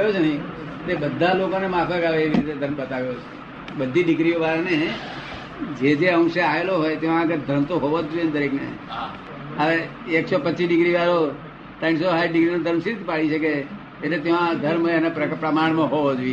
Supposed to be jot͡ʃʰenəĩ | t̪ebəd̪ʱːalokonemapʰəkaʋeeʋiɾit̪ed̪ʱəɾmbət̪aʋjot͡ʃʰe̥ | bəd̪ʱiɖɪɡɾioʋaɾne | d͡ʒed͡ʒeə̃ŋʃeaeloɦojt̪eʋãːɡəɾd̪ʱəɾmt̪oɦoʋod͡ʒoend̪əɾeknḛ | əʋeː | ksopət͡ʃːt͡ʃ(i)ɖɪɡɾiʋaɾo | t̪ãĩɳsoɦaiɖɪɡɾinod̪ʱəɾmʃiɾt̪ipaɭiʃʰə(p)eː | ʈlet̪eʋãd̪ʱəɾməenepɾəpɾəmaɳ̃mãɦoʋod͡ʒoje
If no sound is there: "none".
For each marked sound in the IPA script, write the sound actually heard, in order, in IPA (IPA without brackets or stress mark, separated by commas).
i, k